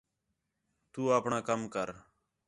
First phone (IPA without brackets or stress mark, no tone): t̪